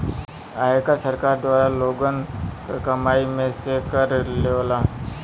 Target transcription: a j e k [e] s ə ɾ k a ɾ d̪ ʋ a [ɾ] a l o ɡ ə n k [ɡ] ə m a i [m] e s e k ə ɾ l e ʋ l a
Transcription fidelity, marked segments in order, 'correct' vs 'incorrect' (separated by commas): incorrect, correct, incorrect, correct